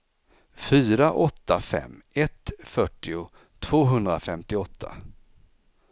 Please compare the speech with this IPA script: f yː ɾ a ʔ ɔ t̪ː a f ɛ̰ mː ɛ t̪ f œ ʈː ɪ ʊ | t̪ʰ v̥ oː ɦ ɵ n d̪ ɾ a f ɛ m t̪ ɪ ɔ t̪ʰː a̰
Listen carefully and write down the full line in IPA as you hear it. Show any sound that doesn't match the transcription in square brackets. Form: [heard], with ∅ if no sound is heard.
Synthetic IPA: f yː ɾ a ʔ ɔ t̪ː a f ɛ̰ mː ɛ t̪ f œ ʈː ɪ ʊ | t̪ʰ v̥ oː ɦ ɵ n d̪ ɾ a f ɛ m t̪ ɪ ɔ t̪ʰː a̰